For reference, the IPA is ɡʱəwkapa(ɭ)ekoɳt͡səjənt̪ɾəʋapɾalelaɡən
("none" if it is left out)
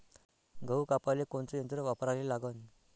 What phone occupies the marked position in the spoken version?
l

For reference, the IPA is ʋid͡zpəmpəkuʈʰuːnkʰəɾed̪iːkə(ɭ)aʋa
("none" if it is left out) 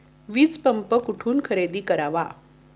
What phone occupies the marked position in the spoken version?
ɾ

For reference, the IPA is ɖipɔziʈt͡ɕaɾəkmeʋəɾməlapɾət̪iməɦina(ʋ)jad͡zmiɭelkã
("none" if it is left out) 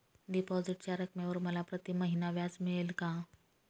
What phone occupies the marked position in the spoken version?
ʋ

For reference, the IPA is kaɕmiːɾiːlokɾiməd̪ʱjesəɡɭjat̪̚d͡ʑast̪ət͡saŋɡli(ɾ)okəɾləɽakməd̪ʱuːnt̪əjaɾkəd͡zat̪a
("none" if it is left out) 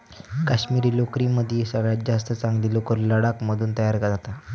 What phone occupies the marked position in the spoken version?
l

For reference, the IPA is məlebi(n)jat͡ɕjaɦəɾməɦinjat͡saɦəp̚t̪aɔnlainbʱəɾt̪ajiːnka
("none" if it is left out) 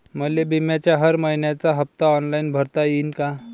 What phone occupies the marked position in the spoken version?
m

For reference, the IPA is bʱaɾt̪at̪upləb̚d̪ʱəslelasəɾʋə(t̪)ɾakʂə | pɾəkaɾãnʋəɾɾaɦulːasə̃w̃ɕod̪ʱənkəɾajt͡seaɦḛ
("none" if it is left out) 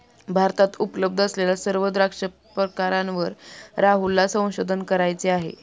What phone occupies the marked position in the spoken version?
d̪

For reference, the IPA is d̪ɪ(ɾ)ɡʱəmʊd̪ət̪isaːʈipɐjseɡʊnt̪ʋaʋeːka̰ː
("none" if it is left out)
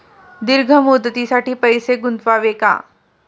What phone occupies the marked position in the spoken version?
ɾ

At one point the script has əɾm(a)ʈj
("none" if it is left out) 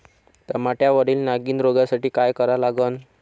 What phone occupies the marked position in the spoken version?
a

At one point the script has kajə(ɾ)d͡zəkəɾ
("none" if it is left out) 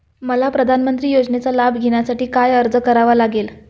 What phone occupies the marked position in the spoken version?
ɾ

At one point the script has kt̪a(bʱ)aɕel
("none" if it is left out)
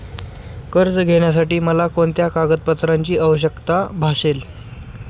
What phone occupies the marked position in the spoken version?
bʱ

